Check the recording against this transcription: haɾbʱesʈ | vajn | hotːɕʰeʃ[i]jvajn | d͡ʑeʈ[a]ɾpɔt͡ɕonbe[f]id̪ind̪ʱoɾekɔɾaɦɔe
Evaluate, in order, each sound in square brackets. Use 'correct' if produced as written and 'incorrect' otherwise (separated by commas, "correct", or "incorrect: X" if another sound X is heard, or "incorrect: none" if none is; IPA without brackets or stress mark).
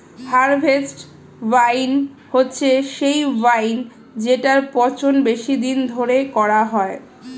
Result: incorrect: e, correct, incorrect: ʃ